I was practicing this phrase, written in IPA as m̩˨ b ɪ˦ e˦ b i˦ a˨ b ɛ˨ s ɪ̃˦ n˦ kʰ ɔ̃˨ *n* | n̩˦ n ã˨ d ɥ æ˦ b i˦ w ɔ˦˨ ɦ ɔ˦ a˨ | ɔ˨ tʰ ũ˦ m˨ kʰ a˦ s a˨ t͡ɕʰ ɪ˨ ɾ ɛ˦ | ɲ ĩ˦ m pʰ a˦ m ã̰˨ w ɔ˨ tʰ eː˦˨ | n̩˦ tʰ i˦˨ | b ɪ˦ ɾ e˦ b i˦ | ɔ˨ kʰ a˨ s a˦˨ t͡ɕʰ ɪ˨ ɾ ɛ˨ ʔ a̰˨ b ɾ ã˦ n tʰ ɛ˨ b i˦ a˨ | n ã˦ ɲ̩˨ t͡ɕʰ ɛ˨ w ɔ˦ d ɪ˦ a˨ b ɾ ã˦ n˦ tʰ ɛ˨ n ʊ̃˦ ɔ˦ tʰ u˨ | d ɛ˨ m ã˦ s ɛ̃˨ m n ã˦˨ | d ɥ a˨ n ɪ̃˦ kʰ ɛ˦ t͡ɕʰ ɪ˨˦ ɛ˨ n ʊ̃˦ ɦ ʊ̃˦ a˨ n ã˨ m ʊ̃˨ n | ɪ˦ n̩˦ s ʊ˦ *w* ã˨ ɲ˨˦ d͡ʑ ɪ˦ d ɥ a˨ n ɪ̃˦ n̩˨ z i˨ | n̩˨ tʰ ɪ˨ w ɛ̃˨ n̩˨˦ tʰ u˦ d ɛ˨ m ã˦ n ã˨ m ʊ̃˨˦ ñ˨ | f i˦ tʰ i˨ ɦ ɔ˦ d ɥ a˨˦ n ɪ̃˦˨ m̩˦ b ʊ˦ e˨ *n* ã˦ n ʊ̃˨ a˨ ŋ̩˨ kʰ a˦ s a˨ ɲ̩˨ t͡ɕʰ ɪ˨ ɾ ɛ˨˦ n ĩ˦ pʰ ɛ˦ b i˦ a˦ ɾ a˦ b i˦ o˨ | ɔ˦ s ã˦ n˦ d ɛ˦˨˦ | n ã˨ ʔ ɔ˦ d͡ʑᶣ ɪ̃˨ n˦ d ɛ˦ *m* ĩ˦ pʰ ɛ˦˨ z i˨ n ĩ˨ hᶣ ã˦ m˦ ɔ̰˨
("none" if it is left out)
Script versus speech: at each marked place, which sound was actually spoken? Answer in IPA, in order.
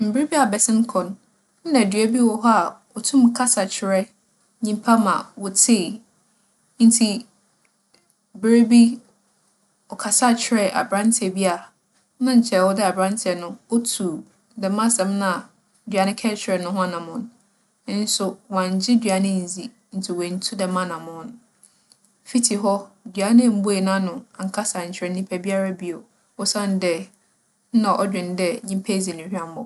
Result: n, w, n, ɲ

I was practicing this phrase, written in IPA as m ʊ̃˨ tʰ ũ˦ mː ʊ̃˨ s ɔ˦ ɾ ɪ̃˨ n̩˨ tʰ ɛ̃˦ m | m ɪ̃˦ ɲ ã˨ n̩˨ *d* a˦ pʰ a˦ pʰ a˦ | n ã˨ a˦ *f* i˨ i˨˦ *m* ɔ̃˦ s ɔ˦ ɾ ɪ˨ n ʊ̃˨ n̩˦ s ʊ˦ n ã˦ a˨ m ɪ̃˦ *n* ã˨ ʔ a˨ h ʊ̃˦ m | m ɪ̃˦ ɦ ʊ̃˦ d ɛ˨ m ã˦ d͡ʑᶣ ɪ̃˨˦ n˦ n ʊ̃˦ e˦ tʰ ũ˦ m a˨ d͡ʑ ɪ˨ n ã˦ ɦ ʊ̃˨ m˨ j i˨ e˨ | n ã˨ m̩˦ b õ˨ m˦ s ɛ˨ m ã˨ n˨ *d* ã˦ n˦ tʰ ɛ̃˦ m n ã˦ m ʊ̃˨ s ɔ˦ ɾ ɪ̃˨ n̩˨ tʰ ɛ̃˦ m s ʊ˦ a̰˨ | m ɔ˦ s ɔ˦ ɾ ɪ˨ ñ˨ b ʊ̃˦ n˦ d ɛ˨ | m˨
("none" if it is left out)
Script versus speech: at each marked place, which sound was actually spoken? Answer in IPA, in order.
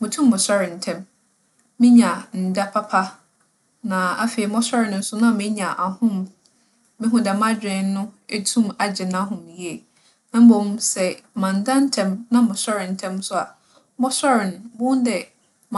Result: d, f, m, ɲ, d

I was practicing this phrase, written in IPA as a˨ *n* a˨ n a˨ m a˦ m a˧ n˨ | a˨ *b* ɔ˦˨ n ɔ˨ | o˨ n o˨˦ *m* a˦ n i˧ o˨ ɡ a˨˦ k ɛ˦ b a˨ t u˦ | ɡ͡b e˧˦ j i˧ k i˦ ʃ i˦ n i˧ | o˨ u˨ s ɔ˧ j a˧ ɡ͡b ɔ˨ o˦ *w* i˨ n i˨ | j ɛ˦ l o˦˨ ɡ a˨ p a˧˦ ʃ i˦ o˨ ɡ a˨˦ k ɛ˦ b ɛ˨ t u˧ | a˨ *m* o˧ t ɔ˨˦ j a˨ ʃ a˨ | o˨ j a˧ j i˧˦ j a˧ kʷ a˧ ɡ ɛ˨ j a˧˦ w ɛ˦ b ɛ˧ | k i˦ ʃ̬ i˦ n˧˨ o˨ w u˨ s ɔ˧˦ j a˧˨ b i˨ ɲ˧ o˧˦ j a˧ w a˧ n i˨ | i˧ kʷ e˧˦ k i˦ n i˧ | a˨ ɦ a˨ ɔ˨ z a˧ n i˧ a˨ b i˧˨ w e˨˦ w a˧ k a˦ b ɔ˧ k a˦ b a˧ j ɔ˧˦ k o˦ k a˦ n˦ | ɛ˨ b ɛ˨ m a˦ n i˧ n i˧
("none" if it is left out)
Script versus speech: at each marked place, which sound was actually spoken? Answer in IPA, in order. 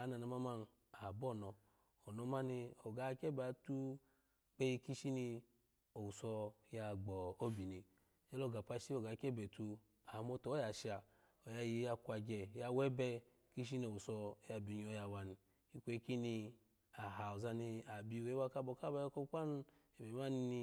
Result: n, b, m, b, m

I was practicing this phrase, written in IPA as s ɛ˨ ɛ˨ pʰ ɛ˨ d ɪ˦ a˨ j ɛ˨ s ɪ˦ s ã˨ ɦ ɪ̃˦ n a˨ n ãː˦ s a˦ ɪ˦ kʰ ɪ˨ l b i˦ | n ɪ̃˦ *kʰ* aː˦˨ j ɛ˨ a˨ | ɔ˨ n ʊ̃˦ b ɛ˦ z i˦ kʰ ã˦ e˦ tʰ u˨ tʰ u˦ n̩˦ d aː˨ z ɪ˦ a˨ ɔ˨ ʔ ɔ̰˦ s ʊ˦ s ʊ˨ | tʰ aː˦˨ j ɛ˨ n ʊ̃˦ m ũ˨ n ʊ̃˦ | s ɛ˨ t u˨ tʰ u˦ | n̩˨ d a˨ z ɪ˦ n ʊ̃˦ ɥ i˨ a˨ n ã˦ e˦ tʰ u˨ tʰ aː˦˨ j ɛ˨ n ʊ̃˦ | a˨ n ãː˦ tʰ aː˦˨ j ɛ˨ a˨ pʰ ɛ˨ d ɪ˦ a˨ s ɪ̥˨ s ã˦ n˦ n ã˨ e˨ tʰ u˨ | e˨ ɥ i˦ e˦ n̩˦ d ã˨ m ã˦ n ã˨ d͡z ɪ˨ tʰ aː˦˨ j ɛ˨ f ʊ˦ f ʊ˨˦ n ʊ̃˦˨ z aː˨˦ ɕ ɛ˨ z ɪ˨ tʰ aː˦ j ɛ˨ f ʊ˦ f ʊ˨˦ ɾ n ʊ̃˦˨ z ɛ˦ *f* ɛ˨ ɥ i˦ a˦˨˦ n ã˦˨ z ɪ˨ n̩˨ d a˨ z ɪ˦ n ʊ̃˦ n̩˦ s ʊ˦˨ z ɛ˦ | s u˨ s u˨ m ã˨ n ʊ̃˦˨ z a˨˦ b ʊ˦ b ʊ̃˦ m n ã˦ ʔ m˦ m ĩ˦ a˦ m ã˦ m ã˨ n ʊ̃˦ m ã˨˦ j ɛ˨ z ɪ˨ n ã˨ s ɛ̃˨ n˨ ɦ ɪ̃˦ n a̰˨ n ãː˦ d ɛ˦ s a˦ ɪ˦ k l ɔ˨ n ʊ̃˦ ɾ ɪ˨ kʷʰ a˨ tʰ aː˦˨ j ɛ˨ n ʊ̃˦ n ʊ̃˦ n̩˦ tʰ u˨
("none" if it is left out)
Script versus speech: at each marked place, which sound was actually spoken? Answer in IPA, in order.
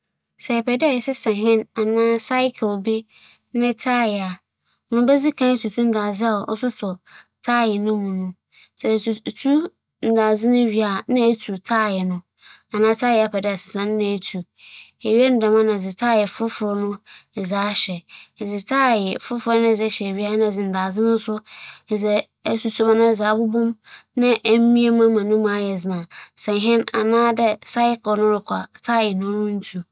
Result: tʰ, ɕ

